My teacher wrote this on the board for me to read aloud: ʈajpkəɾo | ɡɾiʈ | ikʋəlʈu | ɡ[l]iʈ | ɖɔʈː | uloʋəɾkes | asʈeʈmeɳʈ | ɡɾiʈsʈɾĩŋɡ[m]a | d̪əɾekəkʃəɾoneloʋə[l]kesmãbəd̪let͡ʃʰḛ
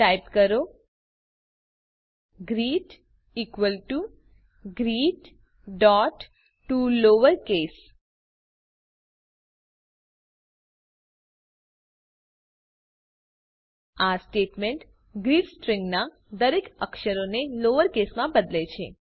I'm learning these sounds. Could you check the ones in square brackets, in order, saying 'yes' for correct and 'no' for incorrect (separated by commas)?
no, no, no